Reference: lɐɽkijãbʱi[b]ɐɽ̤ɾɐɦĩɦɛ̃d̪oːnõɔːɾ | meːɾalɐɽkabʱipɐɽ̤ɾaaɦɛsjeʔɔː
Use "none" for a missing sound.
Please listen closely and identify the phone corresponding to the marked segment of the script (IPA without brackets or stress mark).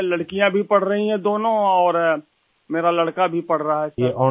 p